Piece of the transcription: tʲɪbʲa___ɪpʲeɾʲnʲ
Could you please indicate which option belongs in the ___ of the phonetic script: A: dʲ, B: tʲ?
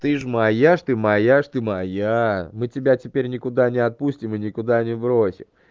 B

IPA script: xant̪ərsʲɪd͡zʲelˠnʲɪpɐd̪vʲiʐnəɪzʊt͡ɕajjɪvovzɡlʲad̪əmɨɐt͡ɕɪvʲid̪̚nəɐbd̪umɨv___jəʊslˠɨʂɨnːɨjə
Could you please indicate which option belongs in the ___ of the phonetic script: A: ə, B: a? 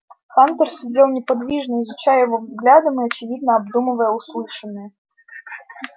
A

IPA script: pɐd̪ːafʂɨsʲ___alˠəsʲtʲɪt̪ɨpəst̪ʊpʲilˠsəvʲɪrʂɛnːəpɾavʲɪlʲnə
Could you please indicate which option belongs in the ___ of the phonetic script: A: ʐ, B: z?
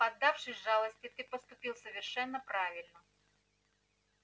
A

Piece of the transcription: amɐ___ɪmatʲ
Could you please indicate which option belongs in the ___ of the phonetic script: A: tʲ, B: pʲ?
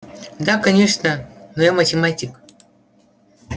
A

